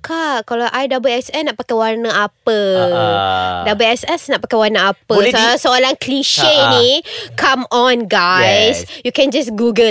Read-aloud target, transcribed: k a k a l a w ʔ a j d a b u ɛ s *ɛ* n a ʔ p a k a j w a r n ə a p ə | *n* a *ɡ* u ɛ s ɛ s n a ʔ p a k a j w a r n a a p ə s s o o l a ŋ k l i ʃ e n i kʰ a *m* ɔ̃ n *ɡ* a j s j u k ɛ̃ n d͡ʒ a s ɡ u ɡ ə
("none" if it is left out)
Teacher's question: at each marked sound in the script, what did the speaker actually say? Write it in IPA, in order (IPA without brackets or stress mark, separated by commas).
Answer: ɛ, d, b, m, ɡ